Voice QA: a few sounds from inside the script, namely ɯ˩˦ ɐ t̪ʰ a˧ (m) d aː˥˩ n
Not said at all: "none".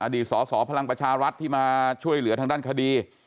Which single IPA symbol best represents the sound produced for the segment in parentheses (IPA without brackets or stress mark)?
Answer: ŋ